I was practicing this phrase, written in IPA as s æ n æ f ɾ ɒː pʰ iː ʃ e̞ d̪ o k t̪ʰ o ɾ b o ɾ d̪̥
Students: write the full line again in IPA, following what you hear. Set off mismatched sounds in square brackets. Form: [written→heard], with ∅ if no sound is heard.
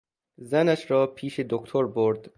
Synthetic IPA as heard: [s→z] æ n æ [f→ʃ] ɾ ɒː pʰ iː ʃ e̞ d̪ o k t̪ʰ o ɾ b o ɾ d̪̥